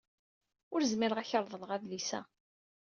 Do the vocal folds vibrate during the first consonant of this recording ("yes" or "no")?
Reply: yes